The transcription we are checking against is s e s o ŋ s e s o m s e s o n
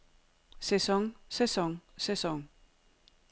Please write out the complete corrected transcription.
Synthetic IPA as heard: s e s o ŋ s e s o ŋ s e s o ŋ